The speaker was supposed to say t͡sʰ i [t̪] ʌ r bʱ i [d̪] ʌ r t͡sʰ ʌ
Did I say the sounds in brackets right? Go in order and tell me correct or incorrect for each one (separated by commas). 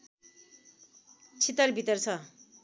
correct, incorrect